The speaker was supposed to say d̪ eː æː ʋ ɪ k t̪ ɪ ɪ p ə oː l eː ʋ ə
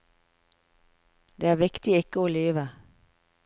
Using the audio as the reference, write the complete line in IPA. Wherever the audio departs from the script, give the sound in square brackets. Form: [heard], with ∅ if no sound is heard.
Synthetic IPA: d̪ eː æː ʋ ɪ k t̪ ɪ ɪ [k] ə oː l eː ʋ ə